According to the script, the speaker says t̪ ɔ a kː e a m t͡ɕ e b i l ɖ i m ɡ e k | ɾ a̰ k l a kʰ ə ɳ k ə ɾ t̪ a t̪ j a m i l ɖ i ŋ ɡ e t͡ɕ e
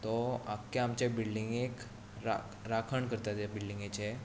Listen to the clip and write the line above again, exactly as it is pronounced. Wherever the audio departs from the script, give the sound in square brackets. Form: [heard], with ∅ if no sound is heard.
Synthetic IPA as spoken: t̪ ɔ a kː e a m t͡ɕ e b i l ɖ i [ŋ] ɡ e k | ɾ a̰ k [ɾ] a kʰ ə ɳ k ə ɾ t̪ a t̪ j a [b] i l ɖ i ŋ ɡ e t͡ɕ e